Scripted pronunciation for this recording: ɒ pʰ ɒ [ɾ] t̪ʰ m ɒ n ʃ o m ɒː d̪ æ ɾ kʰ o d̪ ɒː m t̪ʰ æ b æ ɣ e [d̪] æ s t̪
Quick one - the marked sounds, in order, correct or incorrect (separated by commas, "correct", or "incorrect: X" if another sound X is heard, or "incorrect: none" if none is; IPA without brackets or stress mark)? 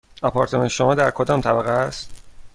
correct, incorrect: none